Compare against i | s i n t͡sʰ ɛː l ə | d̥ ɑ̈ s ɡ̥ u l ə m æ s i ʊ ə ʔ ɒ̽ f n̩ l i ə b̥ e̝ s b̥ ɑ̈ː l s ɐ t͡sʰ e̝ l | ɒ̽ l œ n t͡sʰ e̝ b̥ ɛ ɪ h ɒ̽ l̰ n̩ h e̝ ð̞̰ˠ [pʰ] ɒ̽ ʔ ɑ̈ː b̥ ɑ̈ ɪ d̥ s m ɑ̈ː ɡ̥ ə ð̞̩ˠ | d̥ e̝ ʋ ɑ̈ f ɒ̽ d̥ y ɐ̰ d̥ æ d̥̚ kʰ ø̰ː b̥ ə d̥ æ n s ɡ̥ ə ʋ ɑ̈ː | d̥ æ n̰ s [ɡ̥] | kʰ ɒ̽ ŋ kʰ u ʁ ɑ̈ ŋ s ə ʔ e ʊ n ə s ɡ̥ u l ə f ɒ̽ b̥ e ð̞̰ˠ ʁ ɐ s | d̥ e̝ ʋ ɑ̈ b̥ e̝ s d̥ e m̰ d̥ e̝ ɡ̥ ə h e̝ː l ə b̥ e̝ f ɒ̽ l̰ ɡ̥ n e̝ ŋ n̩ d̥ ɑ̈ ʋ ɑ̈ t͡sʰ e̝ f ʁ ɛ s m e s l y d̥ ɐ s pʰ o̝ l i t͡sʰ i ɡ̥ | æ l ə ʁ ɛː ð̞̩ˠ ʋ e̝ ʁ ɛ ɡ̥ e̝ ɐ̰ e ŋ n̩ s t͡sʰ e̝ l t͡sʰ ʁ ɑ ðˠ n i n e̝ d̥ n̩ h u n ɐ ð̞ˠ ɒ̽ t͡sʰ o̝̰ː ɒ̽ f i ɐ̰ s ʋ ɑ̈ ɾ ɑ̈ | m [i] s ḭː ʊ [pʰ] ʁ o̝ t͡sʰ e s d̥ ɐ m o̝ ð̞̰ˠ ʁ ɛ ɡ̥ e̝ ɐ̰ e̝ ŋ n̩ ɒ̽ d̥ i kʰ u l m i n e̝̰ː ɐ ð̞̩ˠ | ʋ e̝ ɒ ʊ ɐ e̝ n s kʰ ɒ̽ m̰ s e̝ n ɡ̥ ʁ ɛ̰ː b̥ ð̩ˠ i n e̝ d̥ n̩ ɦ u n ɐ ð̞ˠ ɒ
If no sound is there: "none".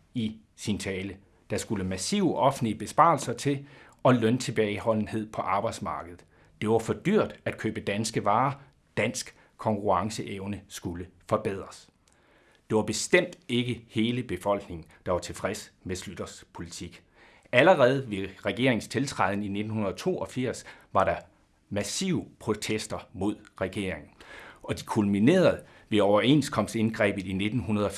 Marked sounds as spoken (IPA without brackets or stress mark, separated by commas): pʰ, ɡ̥, æ, pʰ